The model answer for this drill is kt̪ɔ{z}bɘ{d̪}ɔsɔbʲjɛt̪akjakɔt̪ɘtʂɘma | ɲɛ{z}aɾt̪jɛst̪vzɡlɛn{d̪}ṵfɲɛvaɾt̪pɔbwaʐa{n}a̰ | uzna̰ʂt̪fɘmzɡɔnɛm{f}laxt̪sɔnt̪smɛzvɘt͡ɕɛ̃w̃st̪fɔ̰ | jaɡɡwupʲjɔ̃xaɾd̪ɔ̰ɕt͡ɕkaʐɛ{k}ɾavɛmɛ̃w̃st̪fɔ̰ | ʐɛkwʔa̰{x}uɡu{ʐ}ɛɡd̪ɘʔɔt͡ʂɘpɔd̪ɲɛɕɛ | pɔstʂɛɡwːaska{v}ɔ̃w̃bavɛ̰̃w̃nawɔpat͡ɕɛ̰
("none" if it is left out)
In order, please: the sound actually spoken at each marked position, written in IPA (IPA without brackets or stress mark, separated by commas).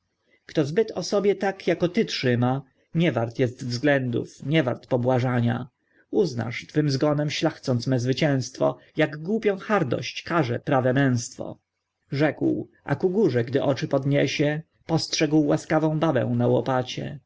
z, t̪, v, d̪, ɲ, ɕ, p, k, ʐ, v